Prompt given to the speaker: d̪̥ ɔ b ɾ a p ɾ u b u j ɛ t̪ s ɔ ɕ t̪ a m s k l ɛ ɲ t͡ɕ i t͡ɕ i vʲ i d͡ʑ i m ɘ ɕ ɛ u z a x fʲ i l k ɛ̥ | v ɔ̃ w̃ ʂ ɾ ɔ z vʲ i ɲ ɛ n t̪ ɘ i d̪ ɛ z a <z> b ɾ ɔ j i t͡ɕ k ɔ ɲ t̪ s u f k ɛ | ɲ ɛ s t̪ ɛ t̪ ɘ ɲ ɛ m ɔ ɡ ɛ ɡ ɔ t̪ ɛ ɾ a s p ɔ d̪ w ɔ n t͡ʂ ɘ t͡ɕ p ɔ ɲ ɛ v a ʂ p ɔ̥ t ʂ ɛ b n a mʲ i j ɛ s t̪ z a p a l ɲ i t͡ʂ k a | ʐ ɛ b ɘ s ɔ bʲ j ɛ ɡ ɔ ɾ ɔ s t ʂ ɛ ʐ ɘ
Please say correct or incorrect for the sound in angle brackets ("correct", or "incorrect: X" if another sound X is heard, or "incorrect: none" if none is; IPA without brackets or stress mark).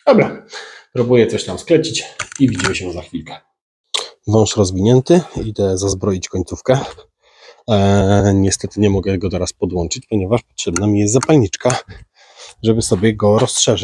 correct